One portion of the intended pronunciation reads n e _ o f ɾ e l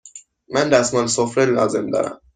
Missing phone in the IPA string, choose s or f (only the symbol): s